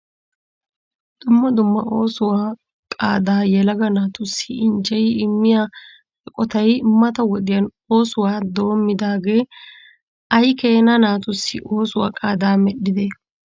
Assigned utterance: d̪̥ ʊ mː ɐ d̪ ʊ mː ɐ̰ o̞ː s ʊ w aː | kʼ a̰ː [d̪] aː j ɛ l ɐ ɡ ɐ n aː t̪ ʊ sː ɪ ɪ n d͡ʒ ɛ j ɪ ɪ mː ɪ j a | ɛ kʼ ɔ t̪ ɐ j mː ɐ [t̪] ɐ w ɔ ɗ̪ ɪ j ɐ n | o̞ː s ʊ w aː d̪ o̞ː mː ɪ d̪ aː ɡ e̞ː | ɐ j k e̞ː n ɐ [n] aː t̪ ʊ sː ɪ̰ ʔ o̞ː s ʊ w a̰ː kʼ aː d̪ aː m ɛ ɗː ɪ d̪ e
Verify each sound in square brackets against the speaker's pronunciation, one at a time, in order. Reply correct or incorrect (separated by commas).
correct, correct, correct